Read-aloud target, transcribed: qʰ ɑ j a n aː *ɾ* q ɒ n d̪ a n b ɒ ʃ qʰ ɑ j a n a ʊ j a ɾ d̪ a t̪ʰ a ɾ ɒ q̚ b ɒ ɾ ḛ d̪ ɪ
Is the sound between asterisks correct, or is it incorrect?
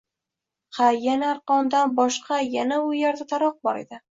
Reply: correct